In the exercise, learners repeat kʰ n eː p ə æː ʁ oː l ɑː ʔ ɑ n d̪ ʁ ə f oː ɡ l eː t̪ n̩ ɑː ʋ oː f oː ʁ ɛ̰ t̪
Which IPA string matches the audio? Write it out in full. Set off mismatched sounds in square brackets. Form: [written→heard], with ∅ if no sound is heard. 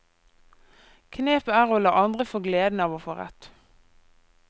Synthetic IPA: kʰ n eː p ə æː ʁ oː l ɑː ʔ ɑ n d̪ ʁ ə f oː ɡ l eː [t̪→d̪] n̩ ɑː ʋ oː f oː ʁ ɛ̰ t̪